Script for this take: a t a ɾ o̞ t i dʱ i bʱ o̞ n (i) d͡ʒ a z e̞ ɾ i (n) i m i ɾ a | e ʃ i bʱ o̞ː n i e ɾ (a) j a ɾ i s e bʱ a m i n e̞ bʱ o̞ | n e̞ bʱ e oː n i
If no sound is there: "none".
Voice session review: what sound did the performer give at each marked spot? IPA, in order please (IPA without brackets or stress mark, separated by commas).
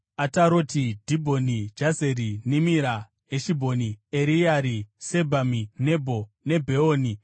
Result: i, n, i